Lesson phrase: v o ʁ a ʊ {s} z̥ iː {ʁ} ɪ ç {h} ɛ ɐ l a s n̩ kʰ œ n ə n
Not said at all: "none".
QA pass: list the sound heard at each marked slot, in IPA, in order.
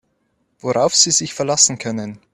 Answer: f, z, f

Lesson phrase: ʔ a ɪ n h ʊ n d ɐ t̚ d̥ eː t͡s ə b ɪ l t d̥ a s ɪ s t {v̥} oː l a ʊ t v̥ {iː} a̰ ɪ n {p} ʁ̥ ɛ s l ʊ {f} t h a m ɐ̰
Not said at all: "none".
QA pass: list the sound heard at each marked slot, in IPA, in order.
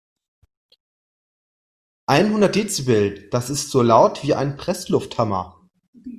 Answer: z̥, iː, p, f

